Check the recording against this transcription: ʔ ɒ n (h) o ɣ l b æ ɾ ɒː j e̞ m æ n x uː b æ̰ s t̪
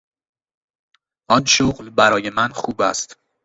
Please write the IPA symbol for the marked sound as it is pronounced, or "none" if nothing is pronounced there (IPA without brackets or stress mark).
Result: ʃ